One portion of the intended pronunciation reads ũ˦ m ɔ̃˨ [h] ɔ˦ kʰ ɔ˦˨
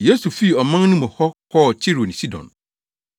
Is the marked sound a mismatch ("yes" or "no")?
no